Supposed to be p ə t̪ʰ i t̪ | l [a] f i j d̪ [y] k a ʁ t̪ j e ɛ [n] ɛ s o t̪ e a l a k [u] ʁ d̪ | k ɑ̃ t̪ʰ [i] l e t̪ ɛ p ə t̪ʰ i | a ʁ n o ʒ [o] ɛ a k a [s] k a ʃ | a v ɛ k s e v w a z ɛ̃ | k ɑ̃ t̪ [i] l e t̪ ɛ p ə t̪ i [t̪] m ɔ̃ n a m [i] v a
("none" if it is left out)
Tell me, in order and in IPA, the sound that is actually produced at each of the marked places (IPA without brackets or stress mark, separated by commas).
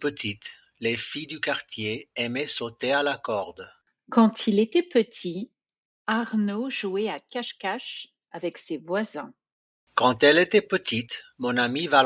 e, y, m, ɔ, i, u, ʃ, ɛ, t̪, i